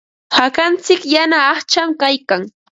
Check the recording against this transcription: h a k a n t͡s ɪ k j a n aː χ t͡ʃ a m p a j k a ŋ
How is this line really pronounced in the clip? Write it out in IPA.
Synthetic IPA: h a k a n t͡s ɪ k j a n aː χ t͡ʃ a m k a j k a ŋ